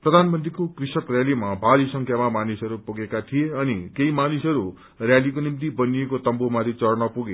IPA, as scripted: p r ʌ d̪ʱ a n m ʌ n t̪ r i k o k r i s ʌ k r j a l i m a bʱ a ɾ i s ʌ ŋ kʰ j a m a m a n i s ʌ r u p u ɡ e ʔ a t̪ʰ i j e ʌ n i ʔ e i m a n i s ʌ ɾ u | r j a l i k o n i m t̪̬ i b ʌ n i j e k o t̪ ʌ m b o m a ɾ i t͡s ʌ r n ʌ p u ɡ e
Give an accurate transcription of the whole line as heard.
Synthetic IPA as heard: p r ʌ d̪ʱ a n m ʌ n t̪ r i k o k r i s ʌ k r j a l i m a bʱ a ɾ i s ʌ ŋ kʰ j a m a m a n i s ʌ ɾ u p u ɡ e k a t̪ʰ i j e ʌ n i k e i m a n i s ʌ ɾ u | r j a l i k o n i m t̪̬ i b ʌ n i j e k o t̪ ʌ m b o m a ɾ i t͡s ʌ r n ʌ p u ɡ e

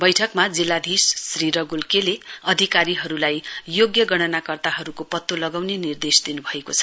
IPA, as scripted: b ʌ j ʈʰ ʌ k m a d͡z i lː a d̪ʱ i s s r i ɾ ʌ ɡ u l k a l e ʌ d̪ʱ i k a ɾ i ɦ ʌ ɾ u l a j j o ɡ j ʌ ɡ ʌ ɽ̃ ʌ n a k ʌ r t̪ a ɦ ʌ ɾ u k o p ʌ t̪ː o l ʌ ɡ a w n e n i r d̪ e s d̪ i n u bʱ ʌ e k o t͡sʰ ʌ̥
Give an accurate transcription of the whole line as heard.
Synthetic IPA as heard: b ʌ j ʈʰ ʌ k m a d͡z i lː a d̪ʱ i s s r i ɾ ʌ ɡ u l k e l e ʌ d̪ʱ i k a ɾ i ɦ ʌ ɾ u l a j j o ɡ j ʌ ɡ ʌ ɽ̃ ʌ n a k ʌ r t̪ a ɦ ʌ ɾ u k o p ʌ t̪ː o l ʌ ɡ a w n e n i r d̪ e s d̪ i n u bʱ ʌ e k o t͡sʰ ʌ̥

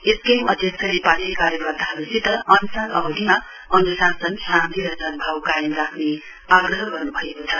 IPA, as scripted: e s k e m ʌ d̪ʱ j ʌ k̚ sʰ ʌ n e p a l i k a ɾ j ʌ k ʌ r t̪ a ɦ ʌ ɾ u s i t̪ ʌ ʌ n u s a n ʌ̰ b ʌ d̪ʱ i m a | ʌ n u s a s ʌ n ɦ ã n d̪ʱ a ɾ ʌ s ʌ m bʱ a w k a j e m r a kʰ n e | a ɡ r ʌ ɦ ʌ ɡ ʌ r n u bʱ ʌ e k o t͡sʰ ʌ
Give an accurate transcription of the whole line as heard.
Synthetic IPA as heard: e s k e m ʌ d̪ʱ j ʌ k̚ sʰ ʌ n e p a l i k a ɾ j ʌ k ʌ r t̪ a ɦ ʌ ɾ u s i t̪ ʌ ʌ n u s a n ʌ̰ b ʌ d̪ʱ i m a | ʌ n u s a s ʌ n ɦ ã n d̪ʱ i ɾ ʌ s ʌ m bʱ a w k a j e m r a kʰ n e | a ɡ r ʌ ɦ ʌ ɡ ʌ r n u bʱ ʌ e k o t͡sʰ ʌ

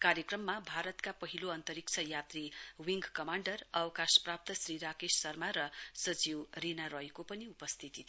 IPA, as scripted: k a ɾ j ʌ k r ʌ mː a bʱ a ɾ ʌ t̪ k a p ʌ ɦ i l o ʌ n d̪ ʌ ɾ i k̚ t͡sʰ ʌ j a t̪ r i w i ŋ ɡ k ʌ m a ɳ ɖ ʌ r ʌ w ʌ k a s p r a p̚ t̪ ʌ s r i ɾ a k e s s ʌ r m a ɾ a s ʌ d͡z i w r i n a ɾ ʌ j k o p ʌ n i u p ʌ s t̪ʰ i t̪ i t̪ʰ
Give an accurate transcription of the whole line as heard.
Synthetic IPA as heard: k a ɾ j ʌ k r ʌ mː a bʱ a ɾ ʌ t̪ k a p ʌ ɦ i l o ʌ n t̪ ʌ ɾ i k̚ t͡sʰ ʌ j a t̪ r i w i ŋ ɡ k ʌ m a ɳ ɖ ʌ r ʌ w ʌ k a s p r a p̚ t̪ ʌ s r i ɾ a k e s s ʌ r m a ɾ ʌ s ʌ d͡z i w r i n a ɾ ʌ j k o p ʌ n i u p ʌ s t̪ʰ i t̪ i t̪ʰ

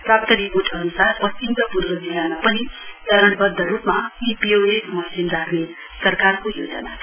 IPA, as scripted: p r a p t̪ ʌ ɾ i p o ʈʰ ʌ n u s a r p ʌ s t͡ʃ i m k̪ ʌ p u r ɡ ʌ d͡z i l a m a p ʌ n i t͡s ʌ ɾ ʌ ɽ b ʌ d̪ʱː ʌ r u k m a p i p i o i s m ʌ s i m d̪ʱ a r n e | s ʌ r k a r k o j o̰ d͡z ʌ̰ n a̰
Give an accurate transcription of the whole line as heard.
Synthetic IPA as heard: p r a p t̪ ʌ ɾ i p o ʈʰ ʌ n u s a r p ʌ s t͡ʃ i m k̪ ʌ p u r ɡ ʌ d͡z i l a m a p ʌ n i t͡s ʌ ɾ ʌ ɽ b ʌ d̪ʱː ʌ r u p m a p i p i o e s m ʌ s i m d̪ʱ a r n e | s ʌ r k a r k o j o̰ d͡z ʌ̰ n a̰

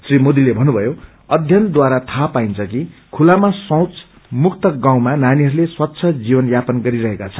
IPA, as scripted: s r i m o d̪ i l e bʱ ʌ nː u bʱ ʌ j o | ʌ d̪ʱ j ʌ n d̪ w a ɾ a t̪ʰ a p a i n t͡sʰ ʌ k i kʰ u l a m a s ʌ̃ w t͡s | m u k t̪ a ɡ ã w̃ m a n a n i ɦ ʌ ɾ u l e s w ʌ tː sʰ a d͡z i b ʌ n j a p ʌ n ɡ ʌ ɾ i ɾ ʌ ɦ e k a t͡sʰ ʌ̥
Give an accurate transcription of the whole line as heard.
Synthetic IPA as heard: s r i m o d̪ i l e bʱ ʌ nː u bʱ ʌ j o | ʌ d̪ʱ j ʌ n d̪ w a ɾ a t̪ʰ a p a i n t͡sʰ ʌ k i kʰ u l a m a s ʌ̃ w t͡s | m u k t̪ ʌ ɡ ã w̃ m a n a n i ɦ ʌ ɾ u l e s w ʌ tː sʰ ʌ d͡z i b ʌ n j a p ʌ n ɡ ʌ ɾ i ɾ ʌ ɦ e k a t͡sʰ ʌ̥

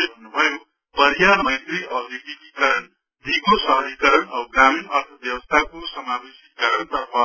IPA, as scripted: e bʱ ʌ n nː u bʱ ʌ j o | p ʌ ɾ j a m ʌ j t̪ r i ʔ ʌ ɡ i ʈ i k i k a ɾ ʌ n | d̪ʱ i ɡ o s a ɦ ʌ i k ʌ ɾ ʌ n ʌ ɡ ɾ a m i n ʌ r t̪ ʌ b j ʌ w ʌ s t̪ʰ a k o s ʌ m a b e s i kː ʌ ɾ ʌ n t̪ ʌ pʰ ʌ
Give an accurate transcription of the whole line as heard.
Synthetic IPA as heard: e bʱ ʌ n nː u bʱ ʌ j o | p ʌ ɾ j a m ʌ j t̪ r i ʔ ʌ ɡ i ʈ i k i k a ɾ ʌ n | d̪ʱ i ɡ o s ʌ ɦ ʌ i k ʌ ɾ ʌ n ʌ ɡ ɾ a m i n ʌ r t̪ʰ ʌ b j ʌ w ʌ s t̪ʰ a k o s ʌ m a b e s i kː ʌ ɾ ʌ n t̪ ʌ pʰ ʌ

